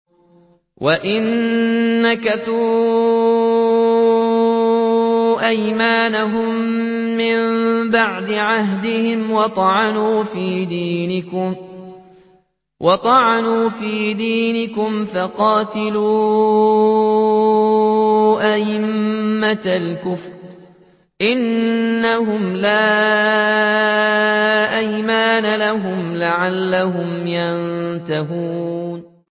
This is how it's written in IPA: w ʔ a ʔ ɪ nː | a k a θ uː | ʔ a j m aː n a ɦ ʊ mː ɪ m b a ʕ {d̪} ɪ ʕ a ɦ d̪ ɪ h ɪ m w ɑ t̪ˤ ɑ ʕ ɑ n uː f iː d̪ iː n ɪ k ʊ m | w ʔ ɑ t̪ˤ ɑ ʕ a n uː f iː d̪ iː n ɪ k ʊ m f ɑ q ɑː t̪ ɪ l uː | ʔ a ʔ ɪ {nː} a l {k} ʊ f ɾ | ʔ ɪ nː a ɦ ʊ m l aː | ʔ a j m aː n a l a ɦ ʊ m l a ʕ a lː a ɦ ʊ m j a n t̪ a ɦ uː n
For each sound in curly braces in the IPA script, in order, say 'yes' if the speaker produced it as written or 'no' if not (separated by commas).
yes, no, yes